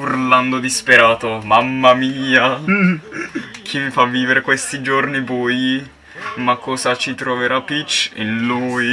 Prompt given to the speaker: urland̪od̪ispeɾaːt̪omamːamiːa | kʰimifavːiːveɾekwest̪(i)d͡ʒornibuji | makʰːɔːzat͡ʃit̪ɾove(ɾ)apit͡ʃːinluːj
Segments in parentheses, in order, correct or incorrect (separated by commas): correct, correct